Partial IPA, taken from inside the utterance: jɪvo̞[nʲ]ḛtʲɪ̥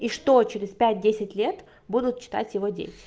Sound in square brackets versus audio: incorrect: dʲ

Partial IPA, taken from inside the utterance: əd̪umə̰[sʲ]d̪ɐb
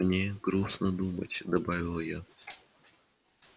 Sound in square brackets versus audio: incorrect: tʲ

